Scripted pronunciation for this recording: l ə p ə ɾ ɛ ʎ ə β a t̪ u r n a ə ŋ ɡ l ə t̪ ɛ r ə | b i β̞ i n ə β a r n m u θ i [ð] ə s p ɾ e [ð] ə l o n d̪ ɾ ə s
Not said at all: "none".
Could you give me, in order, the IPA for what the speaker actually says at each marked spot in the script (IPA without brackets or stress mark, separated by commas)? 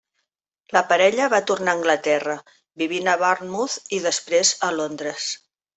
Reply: ð, z